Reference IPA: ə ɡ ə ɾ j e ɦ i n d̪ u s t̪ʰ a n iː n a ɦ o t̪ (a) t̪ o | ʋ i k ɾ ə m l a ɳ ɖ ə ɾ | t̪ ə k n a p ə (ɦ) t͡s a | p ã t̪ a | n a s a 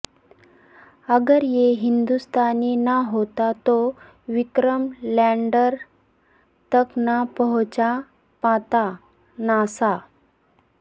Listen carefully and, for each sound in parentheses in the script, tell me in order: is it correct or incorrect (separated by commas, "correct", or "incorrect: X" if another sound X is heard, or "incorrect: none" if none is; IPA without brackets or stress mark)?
correct, correct